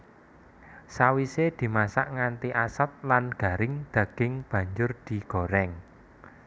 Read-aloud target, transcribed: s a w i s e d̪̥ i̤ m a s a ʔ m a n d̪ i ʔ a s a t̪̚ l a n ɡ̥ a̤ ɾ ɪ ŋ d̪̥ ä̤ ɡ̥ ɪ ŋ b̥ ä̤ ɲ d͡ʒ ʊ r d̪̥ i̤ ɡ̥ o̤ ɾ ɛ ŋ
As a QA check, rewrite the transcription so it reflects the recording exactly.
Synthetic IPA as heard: s a w i s e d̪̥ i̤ m a s a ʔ ŋ a n t̪ i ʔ a s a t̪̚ l a n ɡ̥ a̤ ɾ ɪ ŋ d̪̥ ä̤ ɡ̥ ɪ ŋ b̥ ä̤ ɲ d͡ʒ ʊ r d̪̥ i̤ ɡ̥ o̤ ɾ ɛ ŋ

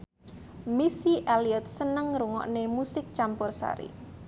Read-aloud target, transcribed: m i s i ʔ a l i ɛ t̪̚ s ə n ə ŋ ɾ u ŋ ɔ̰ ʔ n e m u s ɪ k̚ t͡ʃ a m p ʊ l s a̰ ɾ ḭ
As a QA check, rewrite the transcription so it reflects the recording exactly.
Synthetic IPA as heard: m i s i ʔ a l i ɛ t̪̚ s ə n ə ŋ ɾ u ŋ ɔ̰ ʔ n e m u s ɪ k̚ t͡ʃ a m p ʊ r s a̰ ɾ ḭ

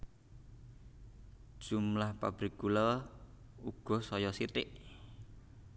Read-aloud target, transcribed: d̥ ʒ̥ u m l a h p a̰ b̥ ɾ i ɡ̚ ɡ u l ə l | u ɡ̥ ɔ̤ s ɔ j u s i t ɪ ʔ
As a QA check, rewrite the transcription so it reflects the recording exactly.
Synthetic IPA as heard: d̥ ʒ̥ u m l a h p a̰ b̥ ɾ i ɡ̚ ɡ u l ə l | u ɡ̥ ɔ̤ s ɔ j ɔ s i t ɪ ʔ

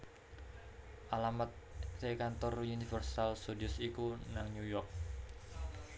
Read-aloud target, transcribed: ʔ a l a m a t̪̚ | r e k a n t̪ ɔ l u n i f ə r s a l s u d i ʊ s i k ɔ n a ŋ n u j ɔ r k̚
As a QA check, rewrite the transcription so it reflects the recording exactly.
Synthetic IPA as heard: ʔ a l a m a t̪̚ | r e k a n t̪ ɔ r u n i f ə r s a l s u d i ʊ s i k u n a ŋ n u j ɔ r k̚

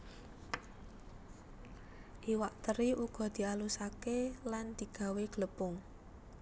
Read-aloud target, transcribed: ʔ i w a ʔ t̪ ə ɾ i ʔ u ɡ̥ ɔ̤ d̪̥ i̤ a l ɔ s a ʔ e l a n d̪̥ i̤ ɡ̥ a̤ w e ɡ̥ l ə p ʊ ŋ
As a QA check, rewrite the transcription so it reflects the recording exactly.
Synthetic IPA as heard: ʔ i w a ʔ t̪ ə ɾ i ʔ u ɡ̥ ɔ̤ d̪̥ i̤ a l u s a k e l a n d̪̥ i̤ ɡ̥ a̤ w e ɡ̥ l ə p ʊ ŋ

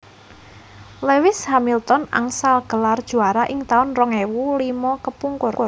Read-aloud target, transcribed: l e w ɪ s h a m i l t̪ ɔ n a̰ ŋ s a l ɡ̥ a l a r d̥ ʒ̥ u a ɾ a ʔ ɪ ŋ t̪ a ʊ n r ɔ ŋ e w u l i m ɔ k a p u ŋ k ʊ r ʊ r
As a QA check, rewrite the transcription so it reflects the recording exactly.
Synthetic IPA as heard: l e w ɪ s h a m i l t̪ ɔ n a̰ ŋ s a l ɡ̥ ə l a r d̥ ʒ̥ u a ɾ a ʔ ɪ ŋ t̪ a ʊ n r ɔ ŋ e w u l i m ɔ k ə p u ŋ k ʊ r ʊ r

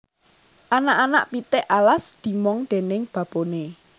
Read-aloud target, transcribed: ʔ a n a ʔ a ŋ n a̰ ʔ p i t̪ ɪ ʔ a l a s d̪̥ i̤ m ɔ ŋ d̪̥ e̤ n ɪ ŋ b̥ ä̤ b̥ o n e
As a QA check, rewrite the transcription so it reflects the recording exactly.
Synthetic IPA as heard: ʔ a n a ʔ a n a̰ ʔ p i t̪ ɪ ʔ a l a s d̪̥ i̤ m ɔ ŋ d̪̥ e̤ n ɪ ŋ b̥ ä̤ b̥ o n e

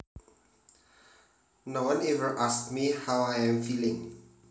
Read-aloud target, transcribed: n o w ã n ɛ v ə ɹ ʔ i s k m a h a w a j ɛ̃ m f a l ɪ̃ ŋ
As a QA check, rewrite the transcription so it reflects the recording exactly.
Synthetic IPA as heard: n o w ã n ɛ v ə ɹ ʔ a s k m i h a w a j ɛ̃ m f i l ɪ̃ ŋ

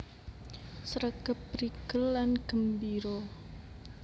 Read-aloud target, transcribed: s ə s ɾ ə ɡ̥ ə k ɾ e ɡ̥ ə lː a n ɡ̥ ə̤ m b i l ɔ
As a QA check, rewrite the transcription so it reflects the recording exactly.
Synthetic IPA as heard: s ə ɾ ə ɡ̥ ə p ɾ i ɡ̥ ə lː a n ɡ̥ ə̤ m b i ɾ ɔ

